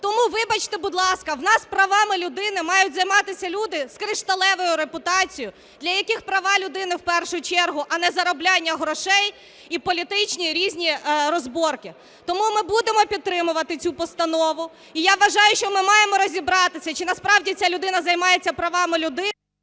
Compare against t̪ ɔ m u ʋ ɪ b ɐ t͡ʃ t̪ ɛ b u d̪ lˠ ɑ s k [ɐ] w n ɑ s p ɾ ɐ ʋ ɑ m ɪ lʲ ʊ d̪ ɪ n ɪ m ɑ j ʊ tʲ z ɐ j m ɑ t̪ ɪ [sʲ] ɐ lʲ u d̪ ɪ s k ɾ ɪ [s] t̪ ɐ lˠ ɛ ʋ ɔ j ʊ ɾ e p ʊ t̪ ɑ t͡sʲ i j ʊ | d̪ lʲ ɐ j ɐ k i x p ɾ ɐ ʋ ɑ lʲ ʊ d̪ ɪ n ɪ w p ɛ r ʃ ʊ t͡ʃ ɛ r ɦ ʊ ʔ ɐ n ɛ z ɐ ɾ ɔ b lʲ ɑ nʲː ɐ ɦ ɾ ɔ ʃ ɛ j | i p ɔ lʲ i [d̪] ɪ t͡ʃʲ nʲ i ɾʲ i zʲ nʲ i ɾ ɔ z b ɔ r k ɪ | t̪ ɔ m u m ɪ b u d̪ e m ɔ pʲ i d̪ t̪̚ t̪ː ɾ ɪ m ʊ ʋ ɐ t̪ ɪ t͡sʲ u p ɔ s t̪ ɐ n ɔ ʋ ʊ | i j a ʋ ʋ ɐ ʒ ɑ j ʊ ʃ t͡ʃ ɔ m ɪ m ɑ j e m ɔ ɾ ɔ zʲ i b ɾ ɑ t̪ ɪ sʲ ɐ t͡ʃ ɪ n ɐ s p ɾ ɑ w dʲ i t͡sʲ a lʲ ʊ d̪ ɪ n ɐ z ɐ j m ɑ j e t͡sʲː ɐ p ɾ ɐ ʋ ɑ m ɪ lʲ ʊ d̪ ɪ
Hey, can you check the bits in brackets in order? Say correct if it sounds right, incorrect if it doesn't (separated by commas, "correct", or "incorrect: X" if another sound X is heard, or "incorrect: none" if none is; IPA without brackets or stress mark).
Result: correct, correct, incorrect: ʃ, incorrect: t̪